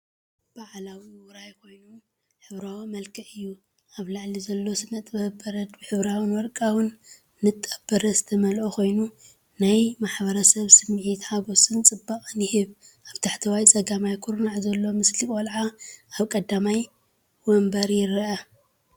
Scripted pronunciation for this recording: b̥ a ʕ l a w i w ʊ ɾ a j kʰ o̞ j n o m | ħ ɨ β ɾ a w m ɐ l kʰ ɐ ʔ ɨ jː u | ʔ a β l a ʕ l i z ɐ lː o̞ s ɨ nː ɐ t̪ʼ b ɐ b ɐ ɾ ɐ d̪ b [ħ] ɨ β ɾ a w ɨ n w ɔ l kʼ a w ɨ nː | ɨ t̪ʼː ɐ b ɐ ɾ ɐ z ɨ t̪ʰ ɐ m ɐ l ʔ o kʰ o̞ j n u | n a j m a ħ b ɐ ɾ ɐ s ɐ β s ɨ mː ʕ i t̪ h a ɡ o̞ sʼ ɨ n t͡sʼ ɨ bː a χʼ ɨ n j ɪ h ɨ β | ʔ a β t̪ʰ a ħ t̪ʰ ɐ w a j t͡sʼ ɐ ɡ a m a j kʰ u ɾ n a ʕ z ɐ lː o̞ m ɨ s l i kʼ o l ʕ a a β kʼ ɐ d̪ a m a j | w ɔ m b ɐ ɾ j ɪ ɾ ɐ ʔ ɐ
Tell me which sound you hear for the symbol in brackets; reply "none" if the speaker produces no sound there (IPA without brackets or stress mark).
ħ